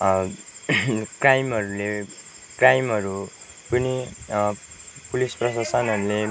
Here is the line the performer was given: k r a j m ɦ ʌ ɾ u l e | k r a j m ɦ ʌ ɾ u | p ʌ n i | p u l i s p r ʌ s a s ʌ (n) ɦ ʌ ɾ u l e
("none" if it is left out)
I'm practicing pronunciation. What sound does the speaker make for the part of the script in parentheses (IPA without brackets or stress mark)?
n